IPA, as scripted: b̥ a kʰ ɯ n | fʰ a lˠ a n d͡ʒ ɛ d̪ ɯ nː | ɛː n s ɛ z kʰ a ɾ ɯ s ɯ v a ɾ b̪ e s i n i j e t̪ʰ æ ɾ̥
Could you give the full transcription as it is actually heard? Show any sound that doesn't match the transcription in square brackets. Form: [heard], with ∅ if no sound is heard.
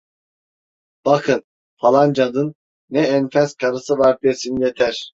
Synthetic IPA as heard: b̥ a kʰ ɯ n | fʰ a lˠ a n d͡ʒ [a] d̪ ɯ nː | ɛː n [f] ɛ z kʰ a ɾ ɯ s ɯ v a ɾ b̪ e s i n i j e t̪ʰ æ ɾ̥